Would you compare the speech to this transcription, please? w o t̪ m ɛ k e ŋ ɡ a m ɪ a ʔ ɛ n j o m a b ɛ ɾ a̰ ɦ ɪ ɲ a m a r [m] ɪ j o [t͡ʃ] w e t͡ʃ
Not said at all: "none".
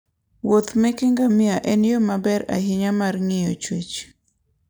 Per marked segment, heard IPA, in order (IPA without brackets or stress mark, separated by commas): ŋ, t͡ʃ